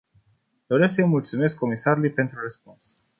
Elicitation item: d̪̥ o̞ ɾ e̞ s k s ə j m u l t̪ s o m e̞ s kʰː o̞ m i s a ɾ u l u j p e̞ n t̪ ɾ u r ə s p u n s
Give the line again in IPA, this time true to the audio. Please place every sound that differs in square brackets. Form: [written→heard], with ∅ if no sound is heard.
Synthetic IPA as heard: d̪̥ o̞ ɾ e̞ s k s ə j m u l t̪ s [o→u] m e̞ s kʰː o̞ m i s a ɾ u l u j p e̞ n t̪ ɾ u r ə s p u n s